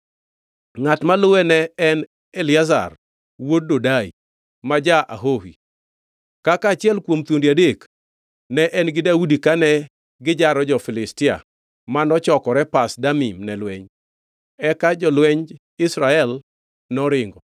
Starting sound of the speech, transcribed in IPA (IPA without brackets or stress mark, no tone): ŋ